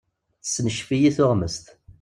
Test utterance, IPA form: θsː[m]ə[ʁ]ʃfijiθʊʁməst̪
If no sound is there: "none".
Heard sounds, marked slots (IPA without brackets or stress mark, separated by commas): n, none